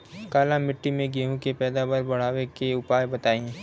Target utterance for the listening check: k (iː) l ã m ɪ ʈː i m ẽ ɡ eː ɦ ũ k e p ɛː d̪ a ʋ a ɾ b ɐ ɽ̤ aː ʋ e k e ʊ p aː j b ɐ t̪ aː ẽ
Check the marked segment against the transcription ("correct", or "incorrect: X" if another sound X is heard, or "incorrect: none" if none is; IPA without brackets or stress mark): incorrect: aː